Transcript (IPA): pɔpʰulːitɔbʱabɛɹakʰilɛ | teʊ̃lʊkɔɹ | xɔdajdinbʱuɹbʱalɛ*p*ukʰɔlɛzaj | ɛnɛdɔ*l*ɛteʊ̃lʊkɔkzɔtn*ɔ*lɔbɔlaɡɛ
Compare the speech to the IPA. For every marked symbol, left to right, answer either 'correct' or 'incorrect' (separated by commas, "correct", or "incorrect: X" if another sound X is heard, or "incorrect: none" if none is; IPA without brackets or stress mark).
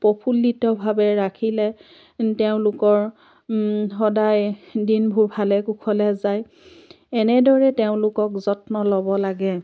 incorrect: k, incorrect: ɹ, correct